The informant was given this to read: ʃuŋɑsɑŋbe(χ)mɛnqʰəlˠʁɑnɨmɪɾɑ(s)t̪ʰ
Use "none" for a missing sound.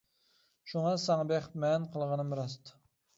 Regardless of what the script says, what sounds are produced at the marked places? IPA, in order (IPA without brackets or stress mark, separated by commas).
χ, s